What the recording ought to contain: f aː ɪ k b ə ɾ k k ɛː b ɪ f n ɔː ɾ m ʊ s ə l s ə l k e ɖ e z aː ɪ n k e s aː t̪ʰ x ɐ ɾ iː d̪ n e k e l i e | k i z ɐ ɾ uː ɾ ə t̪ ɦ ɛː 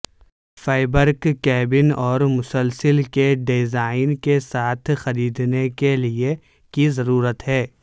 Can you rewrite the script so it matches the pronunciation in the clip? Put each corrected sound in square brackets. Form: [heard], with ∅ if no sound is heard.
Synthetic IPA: f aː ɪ [∅] b ə ɾ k k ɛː b ɪ [∅] n ɔː ɾ m ʊ s ə l s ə l k e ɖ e z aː ɪ n k e s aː t̪ʰ x ɐ ɾ iː d̪ n e k e l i e | k i z ɐ ɾ uː ɾ ə t̪ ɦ ɛː